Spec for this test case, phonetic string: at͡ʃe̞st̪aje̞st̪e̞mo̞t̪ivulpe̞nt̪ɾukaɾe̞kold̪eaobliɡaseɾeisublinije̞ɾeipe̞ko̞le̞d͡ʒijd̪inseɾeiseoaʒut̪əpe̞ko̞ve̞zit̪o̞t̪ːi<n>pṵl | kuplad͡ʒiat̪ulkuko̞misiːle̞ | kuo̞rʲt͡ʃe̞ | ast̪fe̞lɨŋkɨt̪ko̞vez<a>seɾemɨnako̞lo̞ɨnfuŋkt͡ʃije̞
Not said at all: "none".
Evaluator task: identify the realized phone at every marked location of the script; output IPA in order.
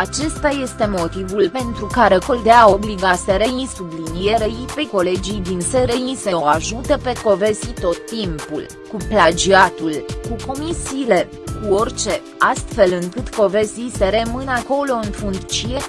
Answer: m, i

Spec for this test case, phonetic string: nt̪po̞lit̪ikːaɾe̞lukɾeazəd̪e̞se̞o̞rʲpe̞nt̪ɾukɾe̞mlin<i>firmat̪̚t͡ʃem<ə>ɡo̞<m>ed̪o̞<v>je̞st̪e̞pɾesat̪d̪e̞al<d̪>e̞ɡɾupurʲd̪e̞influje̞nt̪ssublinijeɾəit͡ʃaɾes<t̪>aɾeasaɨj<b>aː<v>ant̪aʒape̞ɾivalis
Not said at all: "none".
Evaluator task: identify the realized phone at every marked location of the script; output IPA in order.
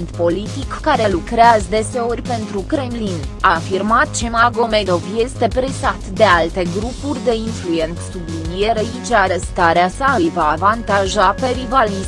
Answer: a, a, m, v, t̪, t̪, v, v

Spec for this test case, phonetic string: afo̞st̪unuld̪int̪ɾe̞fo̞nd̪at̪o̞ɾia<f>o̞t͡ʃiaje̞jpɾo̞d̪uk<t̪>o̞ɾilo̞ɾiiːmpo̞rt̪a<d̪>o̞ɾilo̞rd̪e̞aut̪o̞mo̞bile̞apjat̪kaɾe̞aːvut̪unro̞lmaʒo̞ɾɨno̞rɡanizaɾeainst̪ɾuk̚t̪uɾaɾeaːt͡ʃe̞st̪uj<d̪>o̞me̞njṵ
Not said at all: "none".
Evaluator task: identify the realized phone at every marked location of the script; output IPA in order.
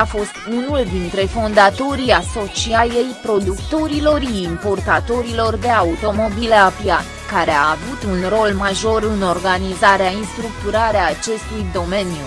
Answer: s, t̪, t̪, d̪

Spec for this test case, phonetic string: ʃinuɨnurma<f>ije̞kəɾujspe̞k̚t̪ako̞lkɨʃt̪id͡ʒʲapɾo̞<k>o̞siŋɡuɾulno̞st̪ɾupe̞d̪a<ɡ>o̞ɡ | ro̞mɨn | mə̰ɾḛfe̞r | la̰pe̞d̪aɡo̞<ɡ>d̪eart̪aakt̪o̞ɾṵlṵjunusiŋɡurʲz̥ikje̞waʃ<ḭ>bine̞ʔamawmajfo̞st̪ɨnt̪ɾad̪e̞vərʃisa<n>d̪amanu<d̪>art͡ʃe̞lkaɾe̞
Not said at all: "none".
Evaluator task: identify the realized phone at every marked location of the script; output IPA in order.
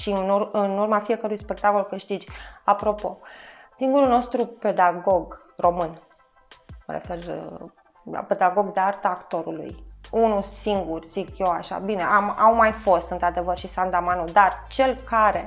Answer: f, p, ɡ, ɡ, a̰, n, d̪

